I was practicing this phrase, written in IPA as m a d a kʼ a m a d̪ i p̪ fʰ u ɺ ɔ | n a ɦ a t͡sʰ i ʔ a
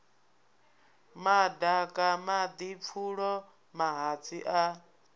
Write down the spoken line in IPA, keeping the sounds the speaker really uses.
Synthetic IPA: m a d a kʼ a m a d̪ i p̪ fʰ u ɺ ɔ | m a ɦ a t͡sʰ i ʔ a